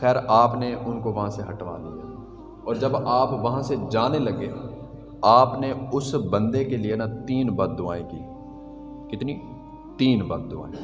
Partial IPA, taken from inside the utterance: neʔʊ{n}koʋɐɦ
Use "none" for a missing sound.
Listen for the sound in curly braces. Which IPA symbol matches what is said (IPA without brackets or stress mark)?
n